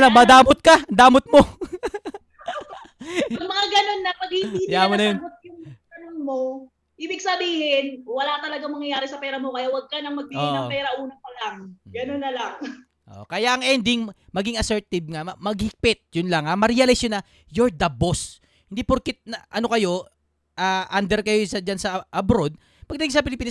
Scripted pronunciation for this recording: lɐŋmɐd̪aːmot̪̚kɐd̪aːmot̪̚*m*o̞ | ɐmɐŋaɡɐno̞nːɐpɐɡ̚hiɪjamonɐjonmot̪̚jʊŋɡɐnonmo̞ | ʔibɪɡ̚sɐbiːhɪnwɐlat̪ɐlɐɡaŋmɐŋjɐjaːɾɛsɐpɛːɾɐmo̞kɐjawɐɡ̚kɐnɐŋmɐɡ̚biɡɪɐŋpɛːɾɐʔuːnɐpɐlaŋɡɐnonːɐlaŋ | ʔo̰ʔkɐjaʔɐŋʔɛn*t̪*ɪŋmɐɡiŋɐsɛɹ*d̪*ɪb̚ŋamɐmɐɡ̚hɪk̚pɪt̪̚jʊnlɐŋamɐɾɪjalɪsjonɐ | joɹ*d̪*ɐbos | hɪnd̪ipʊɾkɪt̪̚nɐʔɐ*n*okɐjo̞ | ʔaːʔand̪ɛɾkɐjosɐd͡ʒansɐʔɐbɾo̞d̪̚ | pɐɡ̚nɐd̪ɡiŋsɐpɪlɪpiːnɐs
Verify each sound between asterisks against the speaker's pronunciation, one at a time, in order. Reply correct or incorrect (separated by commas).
correct, incorrect, incorrect, correct, correct